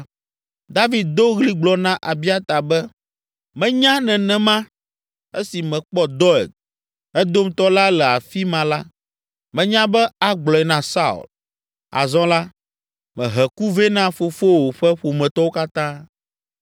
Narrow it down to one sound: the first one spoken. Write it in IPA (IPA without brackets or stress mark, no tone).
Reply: d̪